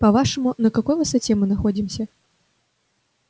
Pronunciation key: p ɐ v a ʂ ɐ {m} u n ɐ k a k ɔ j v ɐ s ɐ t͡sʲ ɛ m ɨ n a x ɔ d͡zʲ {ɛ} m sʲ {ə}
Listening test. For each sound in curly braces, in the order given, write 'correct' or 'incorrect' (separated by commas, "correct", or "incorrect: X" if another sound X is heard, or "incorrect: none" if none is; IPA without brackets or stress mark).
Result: correct, incorrect: i, incorrect: ɐ